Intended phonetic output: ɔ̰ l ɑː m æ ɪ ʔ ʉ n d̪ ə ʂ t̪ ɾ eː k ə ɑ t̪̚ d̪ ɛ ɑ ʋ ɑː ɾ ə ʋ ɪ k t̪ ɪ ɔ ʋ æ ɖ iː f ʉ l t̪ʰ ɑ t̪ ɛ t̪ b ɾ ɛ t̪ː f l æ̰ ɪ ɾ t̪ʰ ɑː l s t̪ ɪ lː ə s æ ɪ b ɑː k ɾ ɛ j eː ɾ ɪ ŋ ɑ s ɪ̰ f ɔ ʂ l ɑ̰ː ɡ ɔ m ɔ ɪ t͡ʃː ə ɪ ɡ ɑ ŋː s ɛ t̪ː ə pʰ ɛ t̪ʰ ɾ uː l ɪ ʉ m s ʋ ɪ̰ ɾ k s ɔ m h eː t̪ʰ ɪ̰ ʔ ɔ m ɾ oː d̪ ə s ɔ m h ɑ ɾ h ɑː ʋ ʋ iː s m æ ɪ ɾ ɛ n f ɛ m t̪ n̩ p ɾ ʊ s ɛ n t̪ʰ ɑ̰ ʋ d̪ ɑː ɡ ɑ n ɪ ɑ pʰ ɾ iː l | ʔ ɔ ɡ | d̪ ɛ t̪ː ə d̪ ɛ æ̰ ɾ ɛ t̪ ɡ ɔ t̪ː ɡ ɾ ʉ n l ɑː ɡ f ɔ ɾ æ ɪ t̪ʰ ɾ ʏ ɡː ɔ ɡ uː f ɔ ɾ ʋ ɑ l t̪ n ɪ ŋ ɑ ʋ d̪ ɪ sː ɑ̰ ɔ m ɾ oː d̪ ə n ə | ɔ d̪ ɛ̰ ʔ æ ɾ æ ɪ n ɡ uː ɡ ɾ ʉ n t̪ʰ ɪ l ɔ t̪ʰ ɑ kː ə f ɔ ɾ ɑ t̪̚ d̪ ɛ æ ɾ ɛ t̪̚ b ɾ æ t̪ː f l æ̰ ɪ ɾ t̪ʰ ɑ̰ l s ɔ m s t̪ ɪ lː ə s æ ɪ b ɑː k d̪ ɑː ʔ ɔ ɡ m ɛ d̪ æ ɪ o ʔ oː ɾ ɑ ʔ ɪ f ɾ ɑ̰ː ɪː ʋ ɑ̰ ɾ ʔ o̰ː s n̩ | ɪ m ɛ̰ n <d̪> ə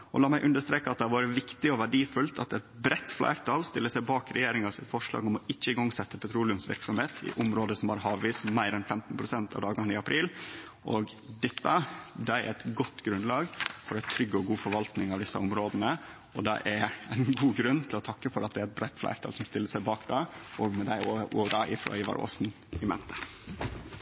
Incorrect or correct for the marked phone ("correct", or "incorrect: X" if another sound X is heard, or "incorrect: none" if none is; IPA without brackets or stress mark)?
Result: incorrect: t̪